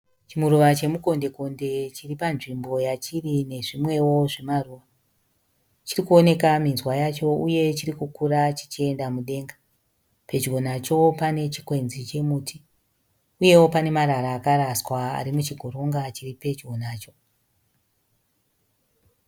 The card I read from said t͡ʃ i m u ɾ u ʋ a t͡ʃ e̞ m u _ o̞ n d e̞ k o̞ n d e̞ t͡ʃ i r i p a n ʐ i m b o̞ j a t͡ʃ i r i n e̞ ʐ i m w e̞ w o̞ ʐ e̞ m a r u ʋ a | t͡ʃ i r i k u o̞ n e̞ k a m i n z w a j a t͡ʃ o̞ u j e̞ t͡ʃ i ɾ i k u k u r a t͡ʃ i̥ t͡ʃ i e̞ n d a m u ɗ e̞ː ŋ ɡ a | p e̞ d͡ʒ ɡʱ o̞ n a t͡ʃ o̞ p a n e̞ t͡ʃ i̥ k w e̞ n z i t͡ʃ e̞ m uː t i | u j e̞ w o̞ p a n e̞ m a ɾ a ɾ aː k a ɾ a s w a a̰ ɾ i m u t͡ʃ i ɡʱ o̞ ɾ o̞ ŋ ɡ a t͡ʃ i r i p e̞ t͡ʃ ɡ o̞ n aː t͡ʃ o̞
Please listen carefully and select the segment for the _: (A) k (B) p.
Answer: A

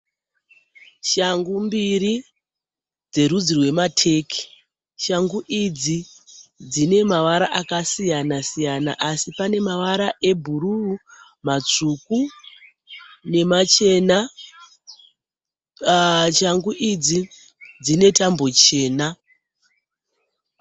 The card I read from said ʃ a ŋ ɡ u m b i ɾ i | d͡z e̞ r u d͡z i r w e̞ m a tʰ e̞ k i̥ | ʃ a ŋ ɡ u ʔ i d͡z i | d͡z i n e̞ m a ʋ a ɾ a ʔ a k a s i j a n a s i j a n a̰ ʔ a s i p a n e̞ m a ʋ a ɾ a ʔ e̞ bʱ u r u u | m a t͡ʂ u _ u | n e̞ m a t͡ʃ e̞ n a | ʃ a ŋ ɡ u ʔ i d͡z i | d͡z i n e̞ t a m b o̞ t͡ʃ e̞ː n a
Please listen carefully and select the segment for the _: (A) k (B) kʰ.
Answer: A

